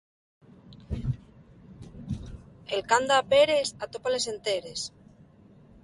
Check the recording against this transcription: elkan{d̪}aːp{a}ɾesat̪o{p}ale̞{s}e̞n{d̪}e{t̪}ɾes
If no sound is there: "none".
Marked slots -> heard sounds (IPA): d̪, e, p, s, t̪, none

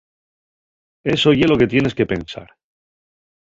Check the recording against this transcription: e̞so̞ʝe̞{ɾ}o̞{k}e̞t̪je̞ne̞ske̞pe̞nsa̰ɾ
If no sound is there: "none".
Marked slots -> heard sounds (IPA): l, k

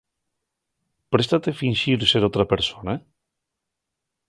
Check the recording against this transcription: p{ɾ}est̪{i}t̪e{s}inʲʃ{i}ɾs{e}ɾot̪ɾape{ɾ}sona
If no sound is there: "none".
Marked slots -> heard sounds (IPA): ɾ, a, f, i, e, ɾ

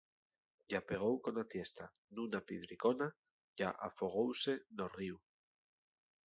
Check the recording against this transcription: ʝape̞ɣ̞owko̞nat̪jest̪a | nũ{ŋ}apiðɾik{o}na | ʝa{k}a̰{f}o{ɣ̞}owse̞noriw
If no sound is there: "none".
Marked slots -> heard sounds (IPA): n, o, ʔ, f, ɣ̞

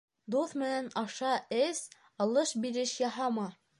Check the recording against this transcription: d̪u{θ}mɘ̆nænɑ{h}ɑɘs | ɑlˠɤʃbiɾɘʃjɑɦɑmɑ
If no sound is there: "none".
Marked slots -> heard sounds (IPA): θ, ʃ

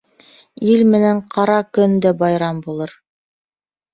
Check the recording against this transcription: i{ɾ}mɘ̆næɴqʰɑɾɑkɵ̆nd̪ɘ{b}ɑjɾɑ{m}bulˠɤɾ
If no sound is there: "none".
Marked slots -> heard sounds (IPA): l, b, m

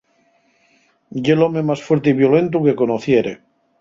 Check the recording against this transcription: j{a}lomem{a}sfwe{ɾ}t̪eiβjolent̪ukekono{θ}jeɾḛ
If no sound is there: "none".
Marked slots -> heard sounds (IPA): e, a, ɾ, θ

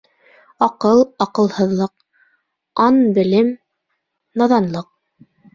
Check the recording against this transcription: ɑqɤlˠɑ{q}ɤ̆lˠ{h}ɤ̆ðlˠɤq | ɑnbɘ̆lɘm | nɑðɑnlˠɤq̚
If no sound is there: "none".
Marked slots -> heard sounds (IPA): q, h

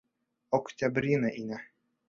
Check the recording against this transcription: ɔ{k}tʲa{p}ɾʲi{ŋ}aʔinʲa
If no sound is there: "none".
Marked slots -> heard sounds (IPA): k, b, n

